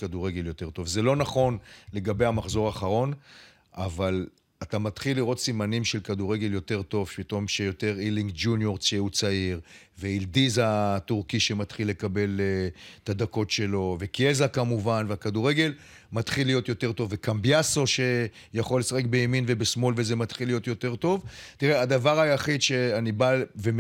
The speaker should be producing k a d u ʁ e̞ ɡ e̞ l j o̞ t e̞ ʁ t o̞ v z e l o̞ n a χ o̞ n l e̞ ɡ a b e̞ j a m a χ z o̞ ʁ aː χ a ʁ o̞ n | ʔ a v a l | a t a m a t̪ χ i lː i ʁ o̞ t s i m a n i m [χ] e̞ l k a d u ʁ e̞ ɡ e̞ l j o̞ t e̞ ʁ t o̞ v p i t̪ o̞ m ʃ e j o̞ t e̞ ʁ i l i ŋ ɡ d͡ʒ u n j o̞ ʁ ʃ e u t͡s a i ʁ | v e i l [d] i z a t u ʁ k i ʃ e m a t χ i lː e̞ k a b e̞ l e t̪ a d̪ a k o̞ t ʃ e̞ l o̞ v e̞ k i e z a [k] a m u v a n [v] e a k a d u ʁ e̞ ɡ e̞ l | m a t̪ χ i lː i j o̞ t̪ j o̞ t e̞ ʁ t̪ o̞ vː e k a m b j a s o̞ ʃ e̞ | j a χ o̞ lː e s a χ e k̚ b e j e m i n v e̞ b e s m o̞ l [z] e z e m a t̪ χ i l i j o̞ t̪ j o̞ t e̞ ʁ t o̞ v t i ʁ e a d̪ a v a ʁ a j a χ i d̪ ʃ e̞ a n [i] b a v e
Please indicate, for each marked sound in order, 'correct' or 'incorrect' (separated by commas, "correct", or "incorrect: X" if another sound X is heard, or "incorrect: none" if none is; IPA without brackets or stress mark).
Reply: incorrect: ʃ, correct, correct, correct, incorrect: v, correct